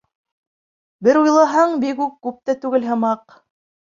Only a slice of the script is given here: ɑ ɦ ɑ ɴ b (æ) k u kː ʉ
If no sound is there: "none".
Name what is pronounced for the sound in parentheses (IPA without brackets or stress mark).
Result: i